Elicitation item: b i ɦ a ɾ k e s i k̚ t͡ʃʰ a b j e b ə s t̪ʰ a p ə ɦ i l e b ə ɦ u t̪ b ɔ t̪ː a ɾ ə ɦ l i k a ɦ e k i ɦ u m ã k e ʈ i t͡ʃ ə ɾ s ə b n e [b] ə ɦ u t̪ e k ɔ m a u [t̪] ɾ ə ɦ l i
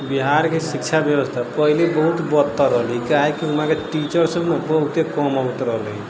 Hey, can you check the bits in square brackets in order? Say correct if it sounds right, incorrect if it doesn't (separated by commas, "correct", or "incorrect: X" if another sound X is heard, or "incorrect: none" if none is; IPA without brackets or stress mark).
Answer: correct, correct